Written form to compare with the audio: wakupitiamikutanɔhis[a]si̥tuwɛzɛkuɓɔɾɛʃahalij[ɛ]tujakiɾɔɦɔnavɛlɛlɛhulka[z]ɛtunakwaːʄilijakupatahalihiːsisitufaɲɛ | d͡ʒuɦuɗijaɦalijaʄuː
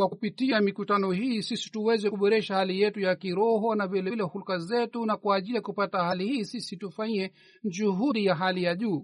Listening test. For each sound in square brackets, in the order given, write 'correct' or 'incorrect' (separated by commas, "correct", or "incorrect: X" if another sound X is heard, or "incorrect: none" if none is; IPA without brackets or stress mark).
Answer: incorrect: i, correct, correct